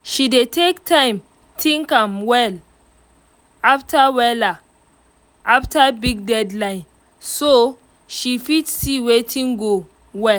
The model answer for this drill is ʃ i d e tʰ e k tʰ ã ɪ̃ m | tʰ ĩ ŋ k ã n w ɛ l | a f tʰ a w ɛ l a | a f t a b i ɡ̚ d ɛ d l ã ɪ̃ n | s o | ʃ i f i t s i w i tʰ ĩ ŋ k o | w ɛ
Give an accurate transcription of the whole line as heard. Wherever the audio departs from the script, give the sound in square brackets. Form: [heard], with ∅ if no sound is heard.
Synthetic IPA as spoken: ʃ i d e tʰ e k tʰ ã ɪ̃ m | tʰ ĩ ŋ k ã [m] w ɛ l | a f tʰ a w ɛ l a | a f t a b i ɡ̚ d ɛ d l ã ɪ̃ n | s o | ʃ i f i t s i w [e] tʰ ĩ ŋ [ɡ] o | w ɛ